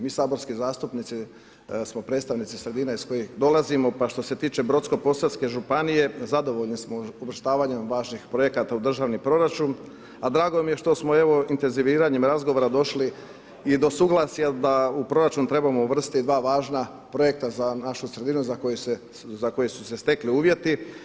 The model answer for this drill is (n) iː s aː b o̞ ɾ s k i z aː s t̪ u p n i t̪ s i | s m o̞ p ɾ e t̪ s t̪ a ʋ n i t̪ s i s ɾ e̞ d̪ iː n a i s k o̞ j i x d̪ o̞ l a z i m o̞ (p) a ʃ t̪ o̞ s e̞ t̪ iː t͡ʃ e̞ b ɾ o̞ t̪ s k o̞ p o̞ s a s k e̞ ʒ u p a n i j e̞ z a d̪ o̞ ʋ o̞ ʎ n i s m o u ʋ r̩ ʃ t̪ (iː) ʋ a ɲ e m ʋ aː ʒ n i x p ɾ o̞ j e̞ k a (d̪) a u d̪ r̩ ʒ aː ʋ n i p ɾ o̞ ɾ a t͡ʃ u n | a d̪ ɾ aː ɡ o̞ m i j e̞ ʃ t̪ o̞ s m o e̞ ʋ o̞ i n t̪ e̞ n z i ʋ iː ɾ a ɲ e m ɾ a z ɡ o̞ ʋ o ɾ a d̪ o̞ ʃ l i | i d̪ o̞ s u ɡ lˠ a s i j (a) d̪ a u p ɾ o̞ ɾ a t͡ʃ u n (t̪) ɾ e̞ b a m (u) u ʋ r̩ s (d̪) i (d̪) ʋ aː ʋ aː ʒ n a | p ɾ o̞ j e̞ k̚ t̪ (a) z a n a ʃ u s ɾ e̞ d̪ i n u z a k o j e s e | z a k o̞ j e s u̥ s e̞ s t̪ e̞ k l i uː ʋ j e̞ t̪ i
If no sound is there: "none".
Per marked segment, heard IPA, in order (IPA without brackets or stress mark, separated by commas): m, p, aː, t̪, a, t̪, o, t̪, d̪, a